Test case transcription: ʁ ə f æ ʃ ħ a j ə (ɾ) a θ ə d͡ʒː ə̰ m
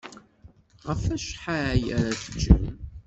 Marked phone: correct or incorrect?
correct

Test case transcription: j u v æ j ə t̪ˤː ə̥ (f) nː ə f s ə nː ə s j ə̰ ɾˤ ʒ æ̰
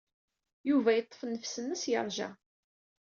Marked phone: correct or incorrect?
correct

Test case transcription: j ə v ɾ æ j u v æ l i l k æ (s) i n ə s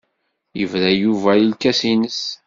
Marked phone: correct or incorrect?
correct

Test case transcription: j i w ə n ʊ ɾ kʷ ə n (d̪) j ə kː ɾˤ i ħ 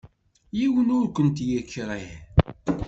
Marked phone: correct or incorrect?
incorrect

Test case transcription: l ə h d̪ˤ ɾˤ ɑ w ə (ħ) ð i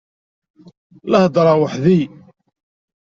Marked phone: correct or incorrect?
correct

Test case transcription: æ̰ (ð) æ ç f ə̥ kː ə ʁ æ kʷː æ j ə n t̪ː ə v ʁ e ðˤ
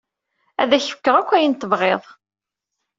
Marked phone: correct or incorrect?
correct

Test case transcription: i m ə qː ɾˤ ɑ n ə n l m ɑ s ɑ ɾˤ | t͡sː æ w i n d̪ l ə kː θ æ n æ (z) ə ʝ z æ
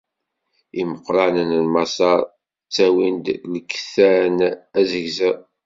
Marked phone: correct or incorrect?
correct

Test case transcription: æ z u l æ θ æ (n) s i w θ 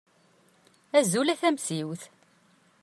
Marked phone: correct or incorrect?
incorrect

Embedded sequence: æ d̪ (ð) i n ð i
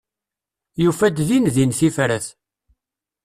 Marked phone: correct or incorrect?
correct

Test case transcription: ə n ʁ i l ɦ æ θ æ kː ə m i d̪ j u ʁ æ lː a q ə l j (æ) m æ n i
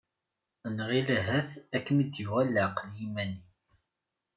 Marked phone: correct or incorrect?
incorrect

